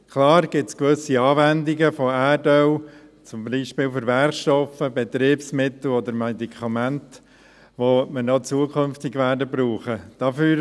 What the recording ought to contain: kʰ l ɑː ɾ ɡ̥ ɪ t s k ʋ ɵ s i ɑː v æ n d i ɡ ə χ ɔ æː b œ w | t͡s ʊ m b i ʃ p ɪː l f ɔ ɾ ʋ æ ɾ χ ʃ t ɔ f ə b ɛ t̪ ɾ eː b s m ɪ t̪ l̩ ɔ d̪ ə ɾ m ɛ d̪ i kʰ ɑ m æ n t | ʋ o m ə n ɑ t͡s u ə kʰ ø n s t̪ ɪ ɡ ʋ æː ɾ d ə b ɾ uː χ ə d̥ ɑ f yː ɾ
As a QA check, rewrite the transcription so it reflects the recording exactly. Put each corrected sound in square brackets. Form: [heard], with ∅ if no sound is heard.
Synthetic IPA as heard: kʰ l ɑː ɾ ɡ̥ ɪ t s k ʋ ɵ s i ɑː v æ n d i ɡ ə [f] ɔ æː [d] œ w | t͡s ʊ m b i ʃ p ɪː l f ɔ ɾ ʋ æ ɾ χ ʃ t ɔ f ə b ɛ t̪ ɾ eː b s m ɪ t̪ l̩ ɔ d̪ ə ɾ m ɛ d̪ i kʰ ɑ m æ n t | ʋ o m ə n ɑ t͡s u ə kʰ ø n [f] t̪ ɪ ɡ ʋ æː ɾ d ə b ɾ uː χ ə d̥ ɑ f yː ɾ